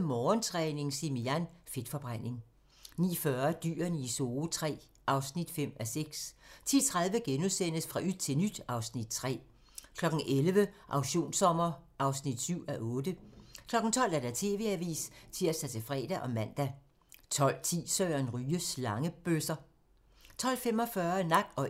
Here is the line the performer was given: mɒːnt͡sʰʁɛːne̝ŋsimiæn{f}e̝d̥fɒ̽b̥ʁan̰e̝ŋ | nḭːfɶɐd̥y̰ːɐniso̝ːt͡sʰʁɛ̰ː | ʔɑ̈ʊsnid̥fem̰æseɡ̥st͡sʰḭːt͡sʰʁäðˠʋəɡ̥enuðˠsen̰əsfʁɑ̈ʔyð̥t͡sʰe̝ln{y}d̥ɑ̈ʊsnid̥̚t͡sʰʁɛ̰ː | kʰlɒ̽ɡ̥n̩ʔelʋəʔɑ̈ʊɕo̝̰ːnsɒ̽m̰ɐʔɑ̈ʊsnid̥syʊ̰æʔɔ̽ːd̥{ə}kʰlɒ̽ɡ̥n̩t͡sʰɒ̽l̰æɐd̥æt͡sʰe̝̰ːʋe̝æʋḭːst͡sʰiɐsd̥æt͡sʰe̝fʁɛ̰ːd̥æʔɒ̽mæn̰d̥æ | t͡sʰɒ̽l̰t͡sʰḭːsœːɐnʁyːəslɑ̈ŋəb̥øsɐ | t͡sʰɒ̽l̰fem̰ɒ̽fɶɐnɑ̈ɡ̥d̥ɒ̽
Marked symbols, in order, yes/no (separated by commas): yes, yes, yes